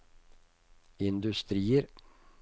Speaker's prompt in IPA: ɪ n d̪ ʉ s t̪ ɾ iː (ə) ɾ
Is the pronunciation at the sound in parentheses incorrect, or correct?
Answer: correct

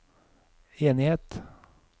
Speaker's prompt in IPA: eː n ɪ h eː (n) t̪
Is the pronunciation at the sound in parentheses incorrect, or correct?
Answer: incorrect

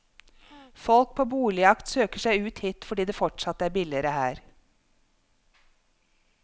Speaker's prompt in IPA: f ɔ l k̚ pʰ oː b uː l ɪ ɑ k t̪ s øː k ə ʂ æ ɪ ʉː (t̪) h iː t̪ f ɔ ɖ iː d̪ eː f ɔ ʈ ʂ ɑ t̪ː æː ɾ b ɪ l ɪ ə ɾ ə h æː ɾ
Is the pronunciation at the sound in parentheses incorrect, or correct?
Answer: correct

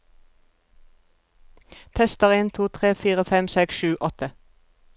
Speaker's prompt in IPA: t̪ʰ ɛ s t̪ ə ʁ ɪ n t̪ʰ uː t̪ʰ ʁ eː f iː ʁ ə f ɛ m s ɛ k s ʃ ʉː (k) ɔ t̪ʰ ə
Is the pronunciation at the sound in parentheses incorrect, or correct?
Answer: incorrect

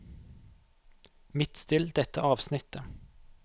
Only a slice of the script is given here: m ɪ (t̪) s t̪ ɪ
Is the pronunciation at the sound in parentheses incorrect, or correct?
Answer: correct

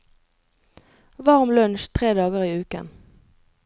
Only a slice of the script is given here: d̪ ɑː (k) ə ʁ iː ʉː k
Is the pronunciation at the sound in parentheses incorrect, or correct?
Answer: incorrect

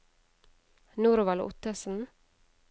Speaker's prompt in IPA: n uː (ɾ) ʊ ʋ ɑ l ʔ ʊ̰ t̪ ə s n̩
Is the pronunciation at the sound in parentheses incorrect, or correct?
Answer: correct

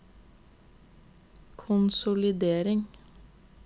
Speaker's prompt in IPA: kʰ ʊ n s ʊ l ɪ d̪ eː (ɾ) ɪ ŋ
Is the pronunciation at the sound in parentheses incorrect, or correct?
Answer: correct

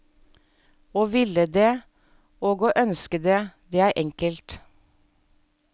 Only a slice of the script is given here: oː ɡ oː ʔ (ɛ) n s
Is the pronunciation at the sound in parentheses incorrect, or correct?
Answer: incorrect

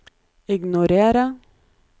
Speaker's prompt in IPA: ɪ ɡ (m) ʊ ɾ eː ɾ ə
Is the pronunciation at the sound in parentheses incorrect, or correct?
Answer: incorrect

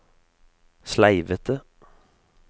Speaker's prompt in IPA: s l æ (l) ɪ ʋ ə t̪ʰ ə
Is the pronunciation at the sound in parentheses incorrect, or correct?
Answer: incorrect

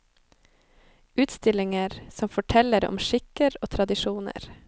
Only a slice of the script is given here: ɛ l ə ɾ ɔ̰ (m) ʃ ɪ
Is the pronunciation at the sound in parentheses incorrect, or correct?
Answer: correct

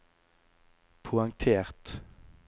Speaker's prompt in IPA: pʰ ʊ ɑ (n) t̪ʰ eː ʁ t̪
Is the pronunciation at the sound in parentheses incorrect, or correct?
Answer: incorrect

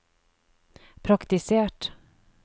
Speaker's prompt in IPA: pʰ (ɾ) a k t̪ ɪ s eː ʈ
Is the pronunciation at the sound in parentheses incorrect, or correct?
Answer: correct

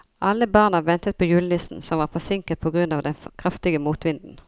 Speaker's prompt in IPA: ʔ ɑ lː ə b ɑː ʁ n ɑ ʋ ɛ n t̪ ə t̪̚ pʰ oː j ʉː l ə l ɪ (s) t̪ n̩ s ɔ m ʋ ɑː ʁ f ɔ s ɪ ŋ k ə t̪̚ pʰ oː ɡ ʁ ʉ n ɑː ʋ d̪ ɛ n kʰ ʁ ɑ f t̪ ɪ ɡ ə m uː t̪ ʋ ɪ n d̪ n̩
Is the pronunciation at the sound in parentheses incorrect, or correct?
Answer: correct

